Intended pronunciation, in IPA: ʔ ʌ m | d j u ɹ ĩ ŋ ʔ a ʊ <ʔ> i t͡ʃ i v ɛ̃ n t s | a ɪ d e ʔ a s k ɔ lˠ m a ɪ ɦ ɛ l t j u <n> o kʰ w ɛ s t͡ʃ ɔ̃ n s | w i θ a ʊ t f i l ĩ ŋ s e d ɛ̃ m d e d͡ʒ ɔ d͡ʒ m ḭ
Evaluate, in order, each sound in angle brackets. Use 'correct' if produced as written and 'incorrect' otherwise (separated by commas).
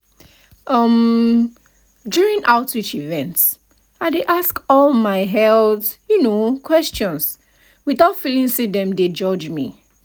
incorrect, correct